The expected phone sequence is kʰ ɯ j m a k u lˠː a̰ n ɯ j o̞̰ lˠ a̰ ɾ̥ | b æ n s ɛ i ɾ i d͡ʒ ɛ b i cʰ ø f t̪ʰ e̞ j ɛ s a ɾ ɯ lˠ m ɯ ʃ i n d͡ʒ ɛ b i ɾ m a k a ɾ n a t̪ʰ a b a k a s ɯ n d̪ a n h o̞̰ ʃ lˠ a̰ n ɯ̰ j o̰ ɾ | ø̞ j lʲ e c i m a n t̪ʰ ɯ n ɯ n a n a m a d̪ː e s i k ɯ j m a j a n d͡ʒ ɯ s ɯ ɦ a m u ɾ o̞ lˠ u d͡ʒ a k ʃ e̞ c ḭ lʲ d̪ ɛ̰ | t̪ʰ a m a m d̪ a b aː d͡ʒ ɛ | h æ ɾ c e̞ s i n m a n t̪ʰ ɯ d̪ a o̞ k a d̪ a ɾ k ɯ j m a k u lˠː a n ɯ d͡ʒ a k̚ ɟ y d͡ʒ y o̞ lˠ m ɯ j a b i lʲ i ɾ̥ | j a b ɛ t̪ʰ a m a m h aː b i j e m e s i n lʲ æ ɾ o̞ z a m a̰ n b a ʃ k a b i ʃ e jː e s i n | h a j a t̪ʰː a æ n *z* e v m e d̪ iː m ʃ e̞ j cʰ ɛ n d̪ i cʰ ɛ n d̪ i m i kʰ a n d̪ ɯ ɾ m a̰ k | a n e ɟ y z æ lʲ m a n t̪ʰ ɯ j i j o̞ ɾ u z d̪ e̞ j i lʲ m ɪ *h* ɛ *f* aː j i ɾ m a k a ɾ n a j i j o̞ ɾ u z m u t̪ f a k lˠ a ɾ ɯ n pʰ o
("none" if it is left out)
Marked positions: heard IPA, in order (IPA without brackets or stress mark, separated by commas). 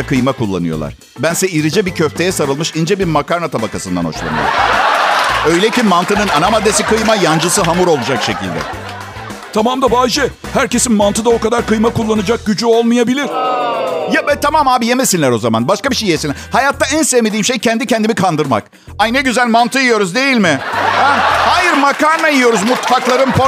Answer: s, h, h